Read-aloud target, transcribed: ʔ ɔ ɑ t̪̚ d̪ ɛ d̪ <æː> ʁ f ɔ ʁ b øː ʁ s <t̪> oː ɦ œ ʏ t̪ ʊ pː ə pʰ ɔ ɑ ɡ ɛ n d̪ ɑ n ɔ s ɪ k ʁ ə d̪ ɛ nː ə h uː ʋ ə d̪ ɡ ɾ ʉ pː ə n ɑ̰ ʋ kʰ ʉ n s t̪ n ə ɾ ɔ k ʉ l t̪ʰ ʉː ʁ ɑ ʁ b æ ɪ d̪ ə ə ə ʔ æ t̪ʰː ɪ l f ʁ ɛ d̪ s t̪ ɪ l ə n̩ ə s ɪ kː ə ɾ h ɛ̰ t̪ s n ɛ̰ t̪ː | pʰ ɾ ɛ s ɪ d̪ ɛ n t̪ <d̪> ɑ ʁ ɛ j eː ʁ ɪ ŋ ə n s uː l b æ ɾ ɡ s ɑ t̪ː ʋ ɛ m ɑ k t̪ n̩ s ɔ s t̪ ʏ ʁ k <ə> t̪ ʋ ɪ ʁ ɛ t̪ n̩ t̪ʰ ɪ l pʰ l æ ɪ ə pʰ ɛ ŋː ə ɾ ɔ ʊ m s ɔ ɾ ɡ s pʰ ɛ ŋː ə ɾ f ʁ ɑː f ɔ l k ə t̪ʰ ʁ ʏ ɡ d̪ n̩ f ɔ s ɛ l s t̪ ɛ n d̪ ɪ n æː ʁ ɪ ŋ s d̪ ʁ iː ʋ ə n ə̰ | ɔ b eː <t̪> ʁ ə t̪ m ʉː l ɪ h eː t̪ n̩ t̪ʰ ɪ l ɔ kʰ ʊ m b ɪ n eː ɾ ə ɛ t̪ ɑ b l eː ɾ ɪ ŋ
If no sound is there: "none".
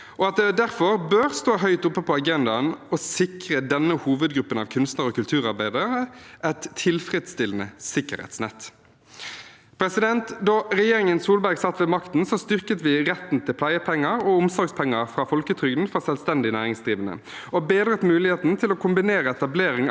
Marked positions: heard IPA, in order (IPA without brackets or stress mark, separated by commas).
æ, t̪, d̪, ə, d̪